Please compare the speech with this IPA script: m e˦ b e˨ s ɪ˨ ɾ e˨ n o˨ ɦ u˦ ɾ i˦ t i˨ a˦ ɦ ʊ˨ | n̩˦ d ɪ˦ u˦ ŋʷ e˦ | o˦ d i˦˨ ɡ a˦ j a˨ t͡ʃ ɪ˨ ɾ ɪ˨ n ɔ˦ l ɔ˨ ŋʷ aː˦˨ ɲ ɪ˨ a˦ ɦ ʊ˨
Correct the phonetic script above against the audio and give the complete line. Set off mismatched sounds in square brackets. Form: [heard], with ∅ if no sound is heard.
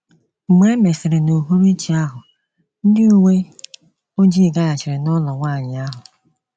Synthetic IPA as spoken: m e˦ [m] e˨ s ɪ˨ ɾ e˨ n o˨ ɦ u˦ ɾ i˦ [t͡ʃ] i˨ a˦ ɦ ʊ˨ | n̩˦ d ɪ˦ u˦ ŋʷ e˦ | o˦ [d͡ʒ] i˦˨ ɡ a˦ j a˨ t͡ʃ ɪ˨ ɾ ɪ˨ n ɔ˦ l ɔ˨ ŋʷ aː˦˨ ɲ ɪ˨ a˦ ɦ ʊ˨